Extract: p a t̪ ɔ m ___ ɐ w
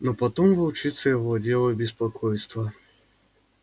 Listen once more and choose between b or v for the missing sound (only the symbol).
v